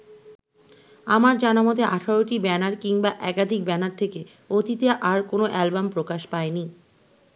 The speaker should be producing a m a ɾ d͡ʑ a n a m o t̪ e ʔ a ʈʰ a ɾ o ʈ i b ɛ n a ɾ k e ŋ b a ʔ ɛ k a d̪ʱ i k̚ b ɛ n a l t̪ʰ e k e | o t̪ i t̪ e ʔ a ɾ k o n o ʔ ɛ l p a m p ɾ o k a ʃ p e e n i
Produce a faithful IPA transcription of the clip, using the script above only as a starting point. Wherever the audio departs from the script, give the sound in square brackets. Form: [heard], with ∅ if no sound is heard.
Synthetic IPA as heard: a m a ɾ d͡ʑ a n a m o t̪ e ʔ a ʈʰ a ɾ o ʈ i b ɛ n a ɾ k [i] ŋ b a ʔ ɛ k a d̪ʱ i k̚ b ɛ n a [ɾ] t̪ʰ e k e | o t̪ i t̪ e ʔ a ɾ k o n o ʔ ɛ l [b] a m p ɾ o k a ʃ p [a] e n i